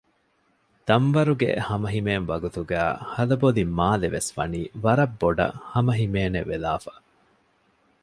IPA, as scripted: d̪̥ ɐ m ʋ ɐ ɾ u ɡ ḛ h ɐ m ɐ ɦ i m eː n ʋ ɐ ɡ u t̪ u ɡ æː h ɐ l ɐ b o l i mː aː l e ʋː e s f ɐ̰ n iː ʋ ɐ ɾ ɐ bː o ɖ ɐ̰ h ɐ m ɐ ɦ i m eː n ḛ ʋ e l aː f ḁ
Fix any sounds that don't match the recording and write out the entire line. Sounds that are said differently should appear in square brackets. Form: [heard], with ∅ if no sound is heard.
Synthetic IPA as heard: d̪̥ ɐ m ʋ ɐ ɾ u ɡ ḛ h ɐ m ɐ ɦ i m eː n ʋ ɐ ɡ u t̪ u ɡ æː h ɐ l ɐ b o l i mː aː l e [ʋ] e s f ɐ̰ n iː ʋ ɐ ɾ ɐ bː o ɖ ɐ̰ h ɐ m ɐ ɦ i m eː n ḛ ʋ e l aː f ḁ